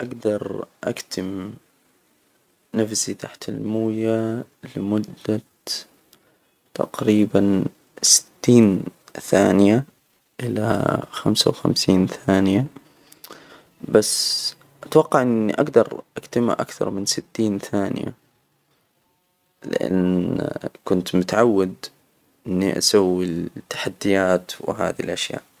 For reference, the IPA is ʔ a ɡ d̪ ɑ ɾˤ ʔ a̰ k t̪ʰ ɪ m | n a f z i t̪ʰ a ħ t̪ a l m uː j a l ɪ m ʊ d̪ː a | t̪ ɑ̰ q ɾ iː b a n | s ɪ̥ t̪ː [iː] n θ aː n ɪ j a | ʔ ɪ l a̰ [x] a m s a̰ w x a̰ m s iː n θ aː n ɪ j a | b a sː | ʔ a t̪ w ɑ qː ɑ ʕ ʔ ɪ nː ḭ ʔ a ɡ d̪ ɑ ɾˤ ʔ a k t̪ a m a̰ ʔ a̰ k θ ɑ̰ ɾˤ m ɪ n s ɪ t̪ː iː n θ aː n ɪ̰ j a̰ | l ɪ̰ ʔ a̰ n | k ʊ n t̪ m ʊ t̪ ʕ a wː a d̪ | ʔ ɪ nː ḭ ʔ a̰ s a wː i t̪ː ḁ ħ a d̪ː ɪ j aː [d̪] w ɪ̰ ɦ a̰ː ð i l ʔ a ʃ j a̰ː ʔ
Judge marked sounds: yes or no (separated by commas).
yes, yes, no